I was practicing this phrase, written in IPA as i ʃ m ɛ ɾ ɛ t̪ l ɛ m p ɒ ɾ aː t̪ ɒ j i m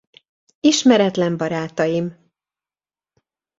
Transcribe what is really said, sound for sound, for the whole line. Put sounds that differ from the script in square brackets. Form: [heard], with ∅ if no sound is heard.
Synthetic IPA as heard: i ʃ m ɛ ɾ ɛ t̪ l ɛ m [b] ɒ ɾ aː t̪ ɒ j i m